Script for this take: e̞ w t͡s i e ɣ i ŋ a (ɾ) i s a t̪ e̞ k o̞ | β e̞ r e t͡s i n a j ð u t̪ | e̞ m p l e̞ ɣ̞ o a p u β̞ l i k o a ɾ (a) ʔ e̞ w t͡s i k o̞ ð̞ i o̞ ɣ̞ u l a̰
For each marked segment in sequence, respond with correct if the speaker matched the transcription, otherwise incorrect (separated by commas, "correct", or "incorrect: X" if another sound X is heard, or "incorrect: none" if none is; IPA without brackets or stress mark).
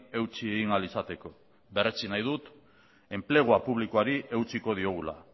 incorrect: l, incorrect: i